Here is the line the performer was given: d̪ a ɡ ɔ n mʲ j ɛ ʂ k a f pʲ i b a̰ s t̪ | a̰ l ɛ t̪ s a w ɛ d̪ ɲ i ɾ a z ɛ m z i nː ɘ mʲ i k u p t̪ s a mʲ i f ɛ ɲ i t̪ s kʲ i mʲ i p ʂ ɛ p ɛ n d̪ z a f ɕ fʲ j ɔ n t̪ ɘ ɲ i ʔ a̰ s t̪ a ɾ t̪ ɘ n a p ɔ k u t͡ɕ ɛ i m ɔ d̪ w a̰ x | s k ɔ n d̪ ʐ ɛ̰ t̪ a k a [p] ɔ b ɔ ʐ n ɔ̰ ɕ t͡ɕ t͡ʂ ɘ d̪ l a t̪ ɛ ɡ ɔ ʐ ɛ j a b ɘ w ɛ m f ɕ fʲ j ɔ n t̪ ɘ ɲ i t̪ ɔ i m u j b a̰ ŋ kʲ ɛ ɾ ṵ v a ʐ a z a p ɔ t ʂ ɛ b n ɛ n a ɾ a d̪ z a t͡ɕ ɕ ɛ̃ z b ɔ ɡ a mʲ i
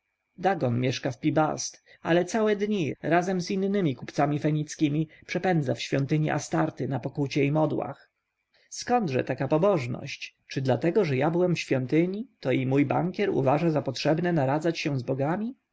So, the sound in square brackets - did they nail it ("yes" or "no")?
yes